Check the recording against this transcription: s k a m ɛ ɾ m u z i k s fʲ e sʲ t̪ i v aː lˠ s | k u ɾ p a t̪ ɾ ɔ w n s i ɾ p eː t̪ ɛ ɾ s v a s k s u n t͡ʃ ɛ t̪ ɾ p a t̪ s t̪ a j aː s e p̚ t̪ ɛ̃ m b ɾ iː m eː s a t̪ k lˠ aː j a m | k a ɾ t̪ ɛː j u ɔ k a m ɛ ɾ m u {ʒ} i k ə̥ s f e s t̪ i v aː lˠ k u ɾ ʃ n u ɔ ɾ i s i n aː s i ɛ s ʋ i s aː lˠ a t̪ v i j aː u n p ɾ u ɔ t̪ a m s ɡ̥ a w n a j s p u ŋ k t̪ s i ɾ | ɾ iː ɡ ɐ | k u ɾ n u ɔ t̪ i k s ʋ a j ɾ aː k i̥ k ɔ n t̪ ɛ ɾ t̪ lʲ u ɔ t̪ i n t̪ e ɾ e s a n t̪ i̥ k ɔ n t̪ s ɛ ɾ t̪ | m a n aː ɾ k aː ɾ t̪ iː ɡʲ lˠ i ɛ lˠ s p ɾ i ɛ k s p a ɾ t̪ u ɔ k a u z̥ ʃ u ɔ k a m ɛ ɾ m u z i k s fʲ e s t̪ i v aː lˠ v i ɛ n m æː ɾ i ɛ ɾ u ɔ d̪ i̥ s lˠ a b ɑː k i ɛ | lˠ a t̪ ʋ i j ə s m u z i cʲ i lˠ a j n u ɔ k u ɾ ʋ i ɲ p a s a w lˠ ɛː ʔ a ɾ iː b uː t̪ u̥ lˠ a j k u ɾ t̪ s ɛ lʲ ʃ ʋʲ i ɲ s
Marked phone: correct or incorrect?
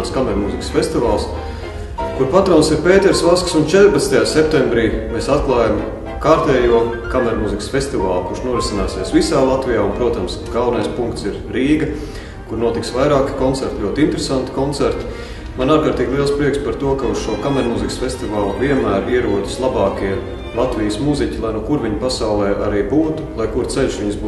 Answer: incorrect